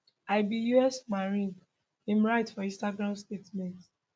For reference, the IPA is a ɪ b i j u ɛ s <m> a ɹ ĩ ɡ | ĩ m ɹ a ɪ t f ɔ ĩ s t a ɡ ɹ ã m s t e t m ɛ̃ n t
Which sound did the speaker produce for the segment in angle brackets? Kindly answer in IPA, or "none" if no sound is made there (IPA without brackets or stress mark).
m